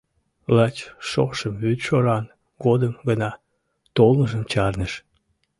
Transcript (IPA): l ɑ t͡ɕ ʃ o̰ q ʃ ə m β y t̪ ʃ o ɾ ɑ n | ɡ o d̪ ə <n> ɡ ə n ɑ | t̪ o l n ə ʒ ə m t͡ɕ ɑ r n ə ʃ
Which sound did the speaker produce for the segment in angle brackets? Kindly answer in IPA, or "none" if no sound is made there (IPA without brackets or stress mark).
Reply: m